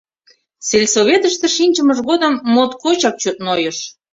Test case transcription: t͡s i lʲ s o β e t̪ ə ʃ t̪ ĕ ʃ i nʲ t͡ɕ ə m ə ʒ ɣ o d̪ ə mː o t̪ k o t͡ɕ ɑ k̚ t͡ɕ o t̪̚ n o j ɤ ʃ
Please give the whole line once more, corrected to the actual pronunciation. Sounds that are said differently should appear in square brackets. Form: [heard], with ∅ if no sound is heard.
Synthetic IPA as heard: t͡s [e] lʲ s o β e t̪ ə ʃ t̪ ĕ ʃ i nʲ t͡ɕ ə m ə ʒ ɣ o d̪ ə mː o t̪ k o t͡ɕ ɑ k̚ t͡ɕ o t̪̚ n o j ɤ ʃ